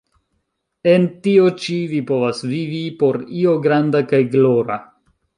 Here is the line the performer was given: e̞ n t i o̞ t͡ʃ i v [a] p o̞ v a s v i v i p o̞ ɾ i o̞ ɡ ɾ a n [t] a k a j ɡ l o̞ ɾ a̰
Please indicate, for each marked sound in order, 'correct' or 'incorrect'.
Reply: incorrect, incorrect

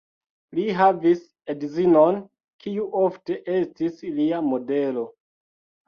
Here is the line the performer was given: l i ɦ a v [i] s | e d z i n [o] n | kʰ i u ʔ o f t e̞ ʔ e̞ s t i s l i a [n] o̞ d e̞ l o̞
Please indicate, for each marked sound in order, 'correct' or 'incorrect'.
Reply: correct, correct, incorrect

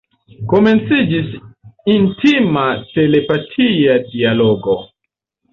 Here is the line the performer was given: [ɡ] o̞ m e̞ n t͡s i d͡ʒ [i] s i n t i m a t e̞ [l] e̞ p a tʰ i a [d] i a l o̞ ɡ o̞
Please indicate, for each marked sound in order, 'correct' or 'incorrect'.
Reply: incorrect, correct, correct, correct

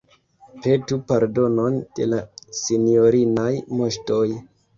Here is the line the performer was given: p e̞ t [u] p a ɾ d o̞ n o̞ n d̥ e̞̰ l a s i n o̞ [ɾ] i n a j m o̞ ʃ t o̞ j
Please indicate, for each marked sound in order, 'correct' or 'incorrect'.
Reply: correct, correct

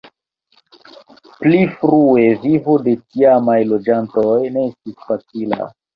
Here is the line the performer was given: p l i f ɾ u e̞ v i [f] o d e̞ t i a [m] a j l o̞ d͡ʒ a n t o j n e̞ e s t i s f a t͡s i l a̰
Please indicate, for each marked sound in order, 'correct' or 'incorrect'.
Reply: incorrect, correct

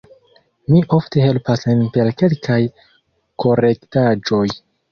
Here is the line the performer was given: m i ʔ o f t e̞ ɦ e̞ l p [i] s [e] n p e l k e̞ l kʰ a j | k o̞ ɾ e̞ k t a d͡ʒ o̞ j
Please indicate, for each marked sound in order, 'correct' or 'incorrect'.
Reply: incorrect, correct

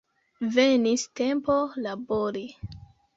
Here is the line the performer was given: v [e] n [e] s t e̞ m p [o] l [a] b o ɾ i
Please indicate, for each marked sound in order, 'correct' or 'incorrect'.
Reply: correct, incorrect, correct, correct

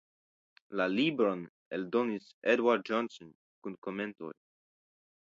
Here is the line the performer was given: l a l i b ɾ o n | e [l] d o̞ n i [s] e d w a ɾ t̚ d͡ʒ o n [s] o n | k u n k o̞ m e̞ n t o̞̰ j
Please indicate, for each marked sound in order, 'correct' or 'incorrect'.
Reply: correct, correct, correct

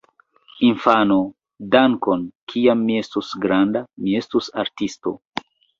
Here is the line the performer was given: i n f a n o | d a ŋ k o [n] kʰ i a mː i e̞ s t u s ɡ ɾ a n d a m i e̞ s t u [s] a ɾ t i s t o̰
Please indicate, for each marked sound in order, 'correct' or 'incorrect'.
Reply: correct, correct

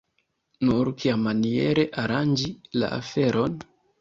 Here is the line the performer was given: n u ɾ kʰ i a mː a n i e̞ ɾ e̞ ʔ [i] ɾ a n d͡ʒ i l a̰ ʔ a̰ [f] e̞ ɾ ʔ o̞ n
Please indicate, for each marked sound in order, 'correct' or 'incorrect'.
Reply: incorrect, correct

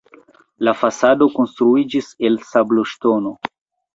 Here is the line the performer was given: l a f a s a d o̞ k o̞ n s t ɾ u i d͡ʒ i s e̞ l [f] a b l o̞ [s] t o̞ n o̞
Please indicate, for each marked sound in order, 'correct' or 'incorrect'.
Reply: incorrect, incorrect

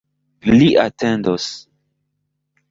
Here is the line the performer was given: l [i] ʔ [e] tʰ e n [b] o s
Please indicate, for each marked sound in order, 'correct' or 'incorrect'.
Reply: correct, incorrect, incorrect

